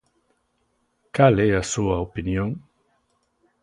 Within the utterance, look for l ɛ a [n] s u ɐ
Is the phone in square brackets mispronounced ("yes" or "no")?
yes